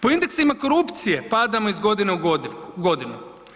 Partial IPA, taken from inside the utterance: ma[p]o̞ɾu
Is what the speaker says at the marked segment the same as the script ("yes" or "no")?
no